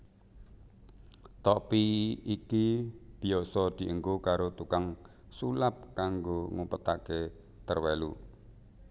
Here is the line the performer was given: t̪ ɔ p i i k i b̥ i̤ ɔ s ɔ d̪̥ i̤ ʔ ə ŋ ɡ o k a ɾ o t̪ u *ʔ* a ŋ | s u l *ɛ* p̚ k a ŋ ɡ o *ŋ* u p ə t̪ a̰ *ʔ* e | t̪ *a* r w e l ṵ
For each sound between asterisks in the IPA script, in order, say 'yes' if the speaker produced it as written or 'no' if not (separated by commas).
no, no, yes, no, no